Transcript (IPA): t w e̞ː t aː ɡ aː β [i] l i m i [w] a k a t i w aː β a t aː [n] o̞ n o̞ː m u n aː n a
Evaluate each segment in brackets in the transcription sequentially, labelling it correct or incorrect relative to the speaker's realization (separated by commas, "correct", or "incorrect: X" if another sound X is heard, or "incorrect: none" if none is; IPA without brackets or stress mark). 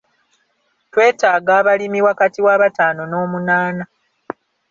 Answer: incorrect: a, correct, correct